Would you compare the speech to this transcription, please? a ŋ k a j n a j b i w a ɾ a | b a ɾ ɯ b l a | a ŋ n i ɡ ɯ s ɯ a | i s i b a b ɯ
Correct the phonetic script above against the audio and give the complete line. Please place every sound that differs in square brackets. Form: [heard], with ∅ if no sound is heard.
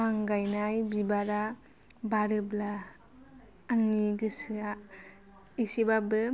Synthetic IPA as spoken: a ŋ [ɡ] a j n a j b i [b] a ɾ a | b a ɾ ɯ b l a | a ŋ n i ɡ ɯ s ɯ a | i s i b a b ɯ